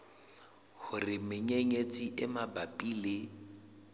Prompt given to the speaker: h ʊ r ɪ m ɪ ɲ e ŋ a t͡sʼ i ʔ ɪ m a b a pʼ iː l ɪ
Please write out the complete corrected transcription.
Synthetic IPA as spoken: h ʊ r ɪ m ɪ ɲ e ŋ e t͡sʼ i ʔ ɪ m a b a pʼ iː l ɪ